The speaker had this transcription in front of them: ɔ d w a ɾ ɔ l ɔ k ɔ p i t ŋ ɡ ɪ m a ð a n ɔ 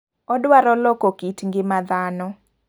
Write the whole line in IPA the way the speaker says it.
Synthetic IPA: ɔ d w a ɾ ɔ l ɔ k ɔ k i t ŋ ɡ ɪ m a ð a n ɔ